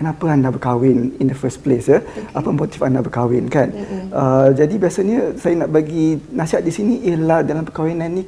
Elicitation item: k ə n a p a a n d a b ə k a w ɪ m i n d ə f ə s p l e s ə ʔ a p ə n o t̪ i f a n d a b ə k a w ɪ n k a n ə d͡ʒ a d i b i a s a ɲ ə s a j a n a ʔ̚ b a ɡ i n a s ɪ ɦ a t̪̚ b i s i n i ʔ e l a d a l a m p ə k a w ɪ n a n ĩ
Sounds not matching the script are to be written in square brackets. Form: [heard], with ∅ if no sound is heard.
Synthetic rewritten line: k ə n a p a a n d a b ə k a w ɪ [n] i n d ə f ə s p l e s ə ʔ a p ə [m] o t̪ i f a n d a b ə k a w ɪ n k a n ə d͡ʒ a d i b i a s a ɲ ə s a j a n a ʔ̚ b a ɡ i n a s [i] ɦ a t̪̚ [d] i s i n i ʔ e l a d a l a m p ə k a w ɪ n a n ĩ